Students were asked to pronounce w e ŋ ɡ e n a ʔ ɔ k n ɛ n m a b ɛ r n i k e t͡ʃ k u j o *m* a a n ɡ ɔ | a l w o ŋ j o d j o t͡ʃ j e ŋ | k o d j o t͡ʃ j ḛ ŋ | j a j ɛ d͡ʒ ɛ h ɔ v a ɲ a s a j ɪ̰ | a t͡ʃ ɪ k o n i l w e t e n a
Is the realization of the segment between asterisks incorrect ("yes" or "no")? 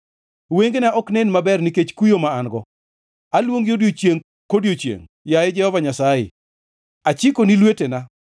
no